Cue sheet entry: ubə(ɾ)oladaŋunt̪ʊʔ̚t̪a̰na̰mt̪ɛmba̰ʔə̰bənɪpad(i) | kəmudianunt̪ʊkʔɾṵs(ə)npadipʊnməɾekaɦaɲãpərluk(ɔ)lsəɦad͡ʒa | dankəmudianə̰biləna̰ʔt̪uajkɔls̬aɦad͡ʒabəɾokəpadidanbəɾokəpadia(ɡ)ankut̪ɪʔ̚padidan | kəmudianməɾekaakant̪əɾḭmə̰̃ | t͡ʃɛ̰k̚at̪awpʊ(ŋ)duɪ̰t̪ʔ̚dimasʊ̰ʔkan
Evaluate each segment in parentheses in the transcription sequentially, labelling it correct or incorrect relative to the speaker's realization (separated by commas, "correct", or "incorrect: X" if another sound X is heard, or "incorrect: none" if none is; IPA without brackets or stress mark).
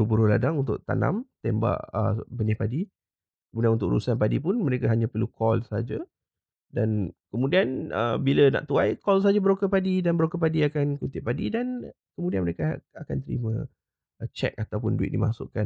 correct, correct, incorrect: a, correct, incorrect: k, incorrect: n